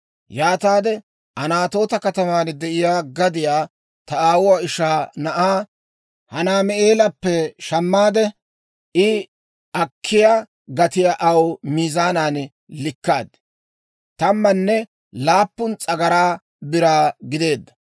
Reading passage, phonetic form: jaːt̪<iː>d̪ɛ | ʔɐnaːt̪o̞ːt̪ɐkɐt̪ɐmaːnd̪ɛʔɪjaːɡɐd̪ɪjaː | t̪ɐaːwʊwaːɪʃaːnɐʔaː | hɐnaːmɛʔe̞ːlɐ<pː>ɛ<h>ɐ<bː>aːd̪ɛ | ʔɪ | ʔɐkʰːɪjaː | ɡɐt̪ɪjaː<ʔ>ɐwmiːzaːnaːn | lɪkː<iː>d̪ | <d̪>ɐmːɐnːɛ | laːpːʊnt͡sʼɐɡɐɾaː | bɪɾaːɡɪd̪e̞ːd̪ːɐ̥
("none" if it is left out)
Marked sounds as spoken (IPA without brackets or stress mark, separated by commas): aː, pː, ʃ, mː, ʔ, aː, t̪